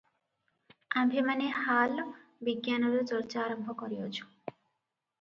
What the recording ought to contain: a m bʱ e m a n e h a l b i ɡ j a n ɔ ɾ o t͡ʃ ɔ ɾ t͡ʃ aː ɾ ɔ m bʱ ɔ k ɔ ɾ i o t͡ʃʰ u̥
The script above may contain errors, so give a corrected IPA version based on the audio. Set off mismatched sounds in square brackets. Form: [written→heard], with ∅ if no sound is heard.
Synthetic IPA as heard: a m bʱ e m a n e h a l b i ɡ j a n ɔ ɾ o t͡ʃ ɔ ɾ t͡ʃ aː ɾ ɔ m bʱ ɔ k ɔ ɾ i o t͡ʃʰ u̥